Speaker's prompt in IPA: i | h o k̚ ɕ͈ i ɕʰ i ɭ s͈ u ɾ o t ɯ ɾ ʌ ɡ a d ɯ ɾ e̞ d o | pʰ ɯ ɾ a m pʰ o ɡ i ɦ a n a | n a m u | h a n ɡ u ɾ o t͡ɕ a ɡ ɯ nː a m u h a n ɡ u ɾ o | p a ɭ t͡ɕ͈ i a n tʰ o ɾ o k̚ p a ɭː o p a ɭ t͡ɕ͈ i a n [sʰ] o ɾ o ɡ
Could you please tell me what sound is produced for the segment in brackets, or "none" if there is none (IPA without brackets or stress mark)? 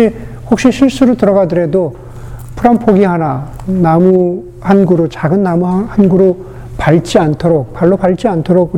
tʰ